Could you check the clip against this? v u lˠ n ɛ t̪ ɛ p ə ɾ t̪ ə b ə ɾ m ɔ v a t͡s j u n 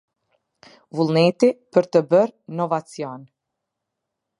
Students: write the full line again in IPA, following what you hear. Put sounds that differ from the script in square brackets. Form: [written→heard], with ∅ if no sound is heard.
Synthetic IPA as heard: v u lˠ n ɛ t̪ [ɛ→i] p ə ɾ t̪ ə b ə ɾ [m→n] ɔ v a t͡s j [u→ɔ] n